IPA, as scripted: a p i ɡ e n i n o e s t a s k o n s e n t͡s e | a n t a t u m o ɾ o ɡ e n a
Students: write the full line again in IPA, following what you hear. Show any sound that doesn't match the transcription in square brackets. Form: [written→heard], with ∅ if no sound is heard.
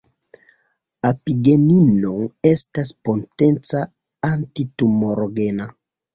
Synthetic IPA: a p i ɡ e n i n o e s t a s [k→p] o n [s→t] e n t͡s [e→a] | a n t [a→i] t u m o ɾ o ɡ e n a